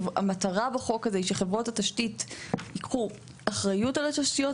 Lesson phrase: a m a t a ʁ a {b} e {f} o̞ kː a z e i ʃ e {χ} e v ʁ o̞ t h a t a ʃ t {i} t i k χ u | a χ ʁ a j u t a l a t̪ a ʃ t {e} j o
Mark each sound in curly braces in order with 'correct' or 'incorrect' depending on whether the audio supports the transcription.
correct, incorrect: χ, correct, correct, incorrect: i

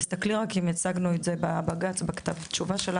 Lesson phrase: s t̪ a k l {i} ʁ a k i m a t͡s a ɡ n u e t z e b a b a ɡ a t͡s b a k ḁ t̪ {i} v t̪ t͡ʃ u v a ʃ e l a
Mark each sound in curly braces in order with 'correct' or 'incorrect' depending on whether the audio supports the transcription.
correct, incorrect: a

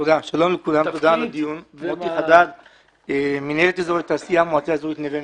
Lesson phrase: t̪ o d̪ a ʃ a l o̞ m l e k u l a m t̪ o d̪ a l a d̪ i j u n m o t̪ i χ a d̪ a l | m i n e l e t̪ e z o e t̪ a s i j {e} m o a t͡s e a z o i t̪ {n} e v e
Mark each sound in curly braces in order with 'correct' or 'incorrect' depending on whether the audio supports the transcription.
incorrect: a, correct

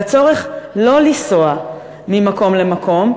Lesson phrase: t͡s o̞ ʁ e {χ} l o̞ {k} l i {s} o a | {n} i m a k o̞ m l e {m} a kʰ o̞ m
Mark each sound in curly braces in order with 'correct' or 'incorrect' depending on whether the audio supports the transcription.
correct, incorrect: none, correct, incorrect: m, correct

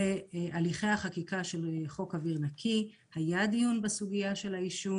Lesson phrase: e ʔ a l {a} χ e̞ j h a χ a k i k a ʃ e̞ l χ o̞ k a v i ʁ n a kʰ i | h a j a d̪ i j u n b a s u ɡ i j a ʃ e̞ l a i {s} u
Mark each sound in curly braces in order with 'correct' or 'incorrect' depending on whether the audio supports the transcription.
incorrect: i, incorrect: ʃ

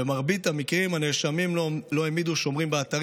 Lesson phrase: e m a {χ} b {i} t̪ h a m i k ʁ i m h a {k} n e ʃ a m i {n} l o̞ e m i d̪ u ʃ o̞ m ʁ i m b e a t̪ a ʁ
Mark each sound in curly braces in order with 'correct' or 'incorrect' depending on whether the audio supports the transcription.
incorrect: ʁ, correct, incorrect: none, incorrect: m

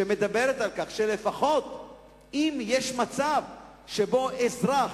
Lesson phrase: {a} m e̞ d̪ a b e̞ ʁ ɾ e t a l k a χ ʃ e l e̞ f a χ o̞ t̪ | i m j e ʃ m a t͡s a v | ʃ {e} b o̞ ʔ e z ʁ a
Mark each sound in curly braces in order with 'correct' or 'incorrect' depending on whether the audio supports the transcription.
incorrect: e, correct

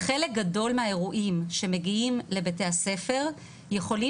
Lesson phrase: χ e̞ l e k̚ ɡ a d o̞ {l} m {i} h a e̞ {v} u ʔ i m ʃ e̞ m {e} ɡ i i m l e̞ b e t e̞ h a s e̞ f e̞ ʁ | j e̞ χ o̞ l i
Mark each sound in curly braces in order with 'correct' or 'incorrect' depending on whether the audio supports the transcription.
correct, incorrect: e, incorrect: ʁ, correct

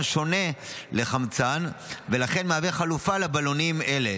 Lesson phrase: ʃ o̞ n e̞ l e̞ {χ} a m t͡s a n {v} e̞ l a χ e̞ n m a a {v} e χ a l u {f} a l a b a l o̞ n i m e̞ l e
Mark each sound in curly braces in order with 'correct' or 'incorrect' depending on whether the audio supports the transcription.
correct, correct, correct, correct

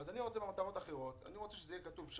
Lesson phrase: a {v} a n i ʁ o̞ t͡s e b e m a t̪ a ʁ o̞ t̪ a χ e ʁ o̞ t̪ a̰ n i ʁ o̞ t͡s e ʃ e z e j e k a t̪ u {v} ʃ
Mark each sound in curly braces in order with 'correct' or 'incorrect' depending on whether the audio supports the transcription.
incorrect: z, correct

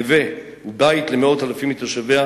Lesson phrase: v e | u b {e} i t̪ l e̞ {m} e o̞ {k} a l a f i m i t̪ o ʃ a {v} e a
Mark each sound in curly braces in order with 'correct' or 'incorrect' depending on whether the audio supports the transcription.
incorrect: a, correct, incorrect: t, correct

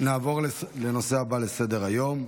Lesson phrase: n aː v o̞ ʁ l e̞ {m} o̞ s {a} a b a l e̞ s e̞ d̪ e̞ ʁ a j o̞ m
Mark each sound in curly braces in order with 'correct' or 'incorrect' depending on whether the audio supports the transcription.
incorrect: n, incorrect: e

